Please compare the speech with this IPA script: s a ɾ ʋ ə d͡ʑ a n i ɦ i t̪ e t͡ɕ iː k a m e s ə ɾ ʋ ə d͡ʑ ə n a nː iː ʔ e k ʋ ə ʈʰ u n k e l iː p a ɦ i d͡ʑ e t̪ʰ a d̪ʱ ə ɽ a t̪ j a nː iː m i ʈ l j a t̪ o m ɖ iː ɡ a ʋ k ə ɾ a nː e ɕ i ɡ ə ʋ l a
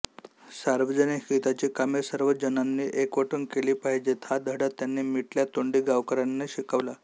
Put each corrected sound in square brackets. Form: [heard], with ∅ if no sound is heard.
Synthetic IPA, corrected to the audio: s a ɾ ʋ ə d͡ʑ [ə] n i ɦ i t̪ [a] t͡ɕ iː k a m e s ə ɾ ʋ ə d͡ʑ ə n a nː iː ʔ e k ʋ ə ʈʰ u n k e l iː p a ɦ i d͡ʑ e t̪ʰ a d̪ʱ ə ɽ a t̪ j a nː iː m i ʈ l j a t̪ o [ɳ] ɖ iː ɡ a ʋ k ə ɾ a nː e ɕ i [k] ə ʋ l a